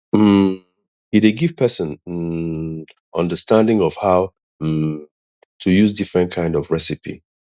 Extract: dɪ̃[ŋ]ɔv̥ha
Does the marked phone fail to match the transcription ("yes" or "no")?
no